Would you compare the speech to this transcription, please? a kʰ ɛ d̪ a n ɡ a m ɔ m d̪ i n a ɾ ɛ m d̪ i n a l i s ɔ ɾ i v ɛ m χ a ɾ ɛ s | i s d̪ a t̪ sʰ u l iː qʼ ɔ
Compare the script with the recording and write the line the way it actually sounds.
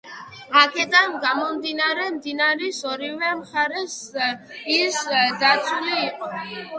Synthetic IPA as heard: a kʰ ɛ d̪ a n ɡ a m ɔ m d̪ i n a ɾ ɛ m d̪ i n a ɾ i s ɔ ɾ i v ɛ m χ a ɾ ɛ s | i s d̪ a t̪ sʰ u l iː qʼ ɔ

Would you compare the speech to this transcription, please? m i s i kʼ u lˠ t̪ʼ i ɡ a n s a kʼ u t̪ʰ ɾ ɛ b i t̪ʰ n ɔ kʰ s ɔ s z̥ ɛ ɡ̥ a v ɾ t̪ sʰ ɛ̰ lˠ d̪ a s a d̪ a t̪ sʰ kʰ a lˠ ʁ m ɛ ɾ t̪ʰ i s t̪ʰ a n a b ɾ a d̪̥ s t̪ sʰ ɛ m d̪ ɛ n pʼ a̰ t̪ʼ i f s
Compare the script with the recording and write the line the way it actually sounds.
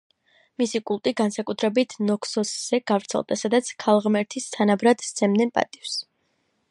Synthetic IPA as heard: m i s i kʼ u lˠ t̪ʼ i ɡ a n s a kʼ u t̪ʰ ɾ ɛ b i t̪ʰ n ɔ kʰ s ɔ s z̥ ɛ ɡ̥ a v ɾ t̪ sʰ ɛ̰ lˠ d̪ a s a d̪ a t̪ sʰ kʰ a lˠ ʁ m ɛ ɾ t̪ʰ i s t̪ʰ a n a b ɾ a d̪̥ s t̪ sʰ ɛ m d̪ ɛ n pʼ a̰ t̪ʼ i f s

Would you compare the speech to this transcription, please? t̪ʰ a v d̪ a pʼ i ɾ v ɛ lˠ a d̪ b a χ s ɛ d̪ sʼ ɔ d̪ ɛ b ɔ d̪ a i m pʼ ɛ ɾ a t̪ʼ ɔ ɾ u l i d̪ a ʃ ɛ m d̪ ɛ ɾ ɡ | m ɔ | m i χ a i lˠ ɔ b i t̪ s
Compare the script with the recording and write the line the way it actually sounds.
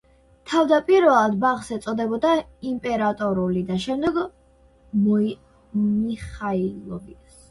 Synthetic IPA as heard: t̪ʰ a v d̪ a pʼ i ɾ v ɛ lˠ a d̪ b a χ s ɛ t̪ sʼ ɔ d̪ ɛ b ɔ d̪ a i m pʼ ɛ ɾ a t̪ʼ ɔ ɾ u l i d̪ a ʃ ɛ m d̪ ɛ ɡ | m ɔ | m i χ a i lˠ ɔ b i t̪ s

